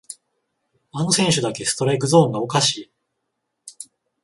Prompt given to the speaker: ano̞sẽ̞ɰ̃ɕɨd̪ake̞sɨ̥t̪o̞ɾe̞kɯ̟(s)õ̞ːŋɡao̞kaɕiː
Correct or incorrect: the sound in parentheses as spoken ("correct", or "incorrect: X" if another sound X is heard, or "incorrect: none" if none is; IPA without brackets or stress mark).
incorrect: z